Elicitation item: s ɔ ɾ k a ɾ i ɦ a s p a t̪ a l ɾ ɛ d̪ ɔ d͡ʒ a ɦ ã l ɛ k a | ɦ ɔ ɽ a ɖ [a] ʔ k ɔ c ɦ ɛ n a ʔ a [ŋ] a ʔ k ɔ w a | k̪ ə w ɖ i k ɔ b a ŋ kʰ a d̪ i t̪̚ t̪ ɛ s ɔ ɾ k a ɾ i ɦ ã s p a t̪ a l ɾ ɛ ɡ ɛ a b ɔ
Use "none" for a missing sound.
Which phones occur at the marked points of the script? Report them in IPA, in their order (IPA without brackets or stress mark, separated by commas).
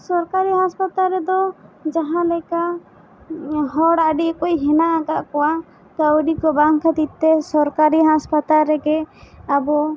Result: i, ɡ